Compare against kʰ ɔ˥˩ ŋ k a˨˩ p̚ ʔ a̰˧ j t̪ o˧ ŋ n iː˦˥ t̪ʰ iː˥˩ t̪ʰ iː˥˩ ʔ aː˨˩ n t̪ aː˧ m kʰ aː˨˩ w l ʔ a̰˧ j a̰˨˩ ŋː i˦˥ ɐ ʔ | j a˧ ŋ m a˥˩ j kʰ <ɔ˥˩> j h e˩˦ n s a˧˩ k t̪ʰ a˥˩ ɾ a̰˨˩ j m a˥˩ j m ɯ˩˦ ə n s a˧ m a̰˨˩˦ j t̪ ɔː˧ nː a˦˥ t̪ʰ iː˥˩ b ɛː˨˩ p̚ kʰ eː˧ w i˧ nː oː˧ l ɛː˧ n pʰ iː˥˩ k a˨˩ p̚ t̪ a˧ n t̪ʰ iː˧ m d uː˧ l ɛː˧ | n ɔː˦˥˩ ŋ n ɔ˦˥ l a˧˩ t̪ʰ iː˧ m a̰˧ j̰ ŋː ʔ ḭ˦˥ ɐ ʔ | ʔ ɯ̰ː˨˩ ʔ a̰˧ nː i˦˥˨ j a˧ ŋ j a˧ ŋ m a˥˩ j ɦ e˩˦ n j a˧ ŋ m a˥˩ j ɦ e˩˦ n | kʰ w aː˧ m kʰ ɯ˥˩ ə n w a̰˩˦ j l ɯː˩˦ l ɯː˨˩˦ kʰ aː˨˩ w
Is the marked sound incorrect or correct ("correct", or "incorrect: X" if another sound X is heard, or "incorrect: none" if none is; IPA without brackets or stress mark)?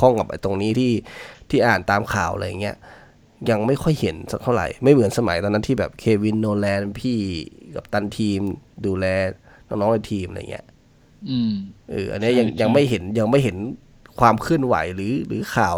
correct